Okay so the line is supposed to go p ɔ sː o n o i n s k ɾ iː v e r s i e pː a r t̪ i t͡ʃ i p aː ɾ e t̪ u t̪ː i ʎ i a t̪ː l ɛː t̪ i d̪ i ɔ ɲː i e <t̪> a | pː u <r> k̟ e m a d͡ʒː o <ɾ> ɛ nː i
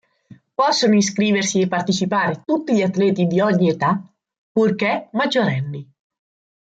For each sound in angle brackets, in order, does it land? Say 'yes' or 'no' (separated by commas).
yes, yes, yes